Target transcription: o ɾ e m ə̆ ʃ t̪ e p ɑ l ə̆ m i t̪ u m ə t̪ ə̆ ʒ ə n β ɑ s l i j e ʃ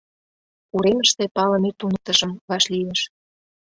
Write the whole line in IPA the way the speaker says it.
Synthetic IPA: u ɾ e m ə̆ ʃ t̪ e p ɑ l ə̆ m e t̪ u n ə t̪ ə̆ ʒ ə m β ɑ ʃ l i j e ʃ